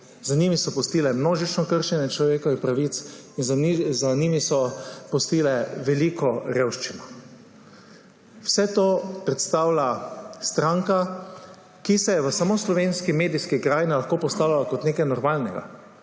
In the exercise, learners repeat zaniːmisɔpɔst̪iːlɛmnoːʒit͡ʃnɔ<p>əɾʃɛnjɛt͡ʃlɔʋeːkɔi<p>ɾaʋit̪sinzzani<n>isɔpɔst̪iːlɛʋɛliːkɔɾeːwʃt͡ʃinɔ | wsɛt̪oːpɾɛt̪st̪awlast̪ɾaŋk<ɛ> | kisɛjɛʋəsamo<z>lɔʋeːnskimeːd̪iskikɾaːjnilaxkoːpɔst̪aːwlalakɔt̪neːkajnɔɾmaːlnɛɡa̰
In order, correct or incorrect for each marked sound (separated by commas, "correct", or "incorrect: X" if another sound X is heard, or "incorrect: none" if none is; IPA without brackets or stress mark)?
incorrect: k, correct, incorrect: m, incorrect: a, incorrect: s